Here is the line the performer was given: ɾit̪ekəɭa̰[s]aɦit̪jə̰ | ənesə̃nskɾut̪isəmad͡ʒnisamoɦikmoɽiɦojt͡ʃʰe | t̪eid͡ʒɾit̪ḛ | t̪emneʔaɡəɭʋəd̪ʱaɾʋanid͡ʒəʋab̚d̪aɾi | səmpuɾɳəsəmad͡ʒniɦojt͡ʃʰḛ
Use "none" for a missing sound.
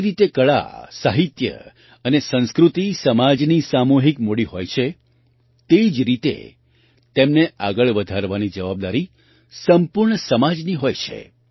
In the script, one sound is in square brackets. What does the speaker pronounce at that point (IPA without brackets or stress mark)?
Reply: s